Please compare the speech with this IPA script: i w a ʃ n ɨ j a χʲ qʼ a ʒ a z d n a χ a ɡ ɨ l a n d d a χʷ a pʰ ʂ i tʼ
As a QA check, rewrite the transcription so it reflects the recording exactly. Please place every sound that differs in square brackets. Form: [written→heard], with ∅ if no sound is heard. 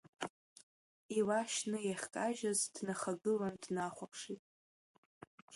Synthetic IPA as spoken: i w a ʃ n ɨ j a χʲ [qʼ→kʼ] a ʒ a z d n a χ a ɡ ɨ l a n d [d→n] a χʷ a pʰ ʂ i tʼ